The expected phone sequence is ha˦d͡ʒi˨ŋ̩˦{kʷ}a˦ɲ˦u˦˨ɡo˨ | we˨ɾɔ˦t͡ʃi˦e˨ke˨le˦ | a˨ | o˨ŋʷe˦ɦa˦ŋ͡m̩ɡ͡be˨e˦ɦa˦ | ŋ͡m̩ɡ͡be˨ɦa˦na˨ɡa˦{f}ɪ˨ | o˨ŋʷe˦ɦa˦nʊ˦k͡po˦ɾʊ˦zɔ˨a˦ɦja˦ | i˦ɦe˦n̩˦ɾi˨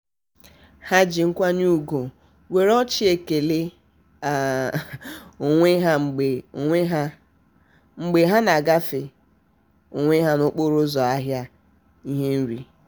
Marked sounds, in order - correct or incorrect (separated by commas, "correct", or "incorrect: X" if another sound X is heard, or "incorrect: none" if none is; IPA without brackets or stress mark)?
correct, correct